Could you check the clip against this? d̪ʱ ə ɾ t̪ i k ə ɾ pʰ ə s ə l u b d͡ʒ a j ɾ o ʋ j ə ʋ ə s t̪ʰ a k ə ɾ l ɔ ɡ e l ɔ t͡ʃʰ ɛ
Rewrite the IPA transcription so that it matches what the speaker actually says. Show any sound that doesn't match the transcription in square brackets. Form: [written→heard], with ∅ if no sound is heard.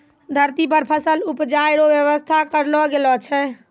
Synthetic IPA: d̪ʱ ə ɾ t̪ i [k→p] ə ɾ pʰ ə s ə l u [b→p] d͡ʒ a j ɾ o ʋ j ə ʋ ə s t̪ʰ a k ə ɾ l ɔ ɡ e l ɔ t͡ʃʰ ɛ